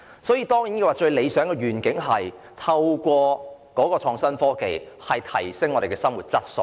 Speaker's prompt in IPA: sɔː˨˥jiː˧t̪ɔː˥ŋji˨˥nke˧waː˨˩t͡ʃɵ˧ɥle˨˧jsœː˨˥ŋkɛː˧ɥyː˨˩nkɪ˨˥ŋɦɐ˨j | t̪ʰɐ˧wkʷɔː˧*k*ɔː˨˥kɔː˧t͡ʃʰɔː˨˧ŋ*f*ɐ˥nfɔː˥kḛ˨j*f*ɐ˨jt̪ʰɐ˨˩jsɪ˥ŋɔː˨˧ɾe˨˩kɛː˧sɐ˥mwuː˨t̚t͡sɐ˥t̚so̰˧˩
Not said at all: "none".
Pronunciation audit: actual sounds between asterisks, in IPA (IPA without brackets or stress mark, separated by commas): k, s, h